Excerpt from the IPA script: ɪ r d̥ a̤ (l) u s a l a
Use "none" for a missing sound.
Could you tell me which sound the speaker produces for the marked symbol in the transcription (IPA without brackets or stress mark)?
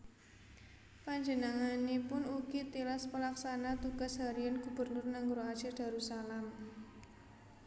ɾ